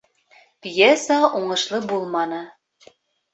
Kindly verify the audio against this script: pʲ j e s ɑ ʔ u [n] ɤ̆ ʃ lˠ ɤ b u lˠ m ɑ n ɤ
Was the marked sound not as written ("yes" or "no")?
yes